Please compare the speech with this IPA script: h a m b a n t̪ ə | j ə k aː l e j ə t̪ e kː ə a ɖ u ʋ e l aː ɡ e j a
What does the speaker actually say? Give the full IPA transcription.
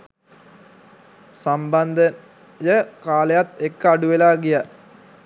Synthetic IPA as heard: s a m b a n d̪ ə | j ə k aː l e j a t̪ e kː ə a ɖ u ʋ e l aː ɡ i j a